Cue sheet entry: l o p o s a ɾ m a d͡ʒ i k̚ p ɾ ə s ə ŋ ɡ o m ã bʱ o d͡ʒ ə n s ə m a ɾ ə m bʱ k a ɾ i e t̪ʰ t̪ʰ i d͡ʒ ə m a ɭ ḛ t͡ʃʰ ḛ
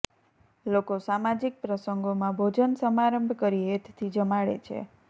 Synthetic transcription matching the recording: l o k o s a m a d͡ʒ i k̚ p ɾ ə s ə ŋ ɡ o m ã bʱ o d͡ʒ ə n s ə m a ɾ ə m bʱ k ə ɾ i e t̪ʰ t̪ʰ i d͡ʒ ə m a ɭ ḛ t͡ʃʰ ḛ